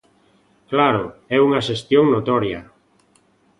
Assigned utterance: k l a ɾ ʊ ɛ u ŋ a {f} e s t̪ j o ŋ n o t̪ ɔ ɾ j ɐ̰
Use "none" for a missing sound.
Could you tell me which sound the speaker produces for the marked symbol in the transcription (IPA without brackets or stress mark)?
ʃ